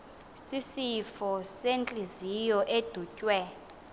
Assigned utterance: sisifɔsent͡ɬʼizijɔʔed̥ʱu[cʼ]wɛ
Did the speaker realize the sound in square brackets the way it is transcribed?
yes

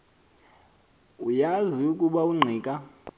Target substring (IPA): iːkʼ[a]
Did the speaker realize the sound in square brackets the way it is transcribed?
yes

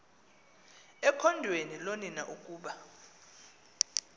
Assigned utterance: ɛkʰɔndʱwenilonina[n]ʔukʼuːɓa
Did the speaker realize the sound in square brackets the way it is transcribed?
no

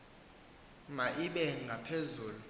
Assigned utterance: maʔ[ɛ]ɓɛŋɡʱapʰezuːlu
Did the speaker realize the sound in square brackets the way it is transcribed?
no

